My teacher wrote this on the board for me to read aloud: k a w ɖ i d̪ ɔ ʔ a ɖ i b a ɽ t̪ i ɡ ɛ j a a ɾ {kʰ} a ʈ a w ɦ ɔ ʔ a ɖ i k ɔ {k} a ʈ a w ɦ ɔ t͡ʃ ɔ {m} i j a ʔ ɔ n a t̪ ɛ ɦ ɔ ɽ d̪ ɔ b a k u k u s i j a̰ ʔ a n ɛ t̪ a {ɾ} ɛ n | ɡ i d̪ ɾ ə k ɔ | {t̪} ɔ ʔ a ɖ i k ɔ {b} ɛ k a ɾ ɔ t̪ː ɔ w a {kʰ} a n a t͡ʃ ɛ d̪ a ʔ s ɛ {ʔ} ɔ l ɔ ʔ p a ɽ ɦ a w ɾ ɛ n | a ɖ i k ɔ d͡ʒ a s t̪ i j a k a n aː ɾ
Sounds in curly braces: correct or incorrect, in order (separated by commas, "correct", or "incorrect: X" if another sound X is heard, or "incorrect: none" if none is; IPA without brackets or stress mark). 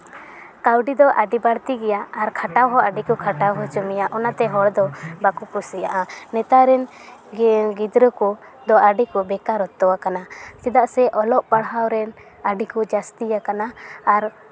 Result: correct, incorrect: kʰ, correct, correct, incorrect: d̪, correct, incorrect: k, correct